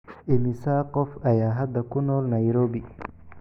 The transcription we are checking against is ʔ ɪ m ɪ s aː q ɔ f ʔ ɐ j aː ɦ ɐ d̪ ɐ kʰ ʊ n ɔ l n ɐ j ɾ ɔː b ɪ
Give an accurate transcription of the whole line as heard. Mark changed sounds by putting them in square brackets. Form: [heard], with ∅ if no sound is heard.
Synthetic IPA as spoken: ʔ ɪ m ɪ s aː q ɔ f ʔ ɐ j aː ɦ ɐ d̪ ɐ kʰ ʊ n [ɔː] l n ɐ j ɾ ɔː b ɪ